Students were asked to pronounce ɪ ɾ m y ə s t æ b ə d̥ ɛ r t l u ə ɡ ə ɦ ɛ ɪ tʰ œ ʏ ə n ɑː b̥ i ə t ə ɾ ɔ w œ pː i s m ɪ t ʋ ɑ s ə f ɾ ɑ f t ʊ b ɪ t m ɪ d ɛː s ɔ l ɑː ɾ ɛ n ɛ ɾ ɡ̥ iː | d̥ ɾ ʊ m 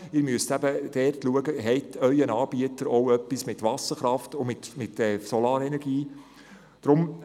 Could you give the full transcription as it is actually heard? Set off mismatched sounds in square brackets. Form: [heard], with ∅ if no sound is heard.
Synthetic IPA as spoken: ɪ ɾ m y ə s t æ b ə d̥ ɛ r t l u ə ɡ ə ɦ ɛ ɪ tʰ œ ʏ ə n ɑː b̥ i ə t ə ɾ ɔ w œ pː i s m ɪ t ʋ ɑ s ə [χ] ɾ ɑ f t ʊ [m] ɪ t m ɪ [t] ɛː s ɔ l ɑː ɾ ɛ n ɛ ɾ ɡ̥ iː | d̥ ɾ ʊ m